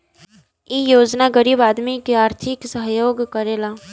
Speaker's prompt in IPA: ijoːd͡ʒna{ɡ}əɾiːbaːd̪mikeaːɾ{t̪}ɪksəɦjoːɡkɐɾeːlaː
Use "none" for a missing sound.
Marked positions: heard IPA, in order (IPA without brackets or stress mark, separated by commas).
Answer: ɡ, t̪ʰ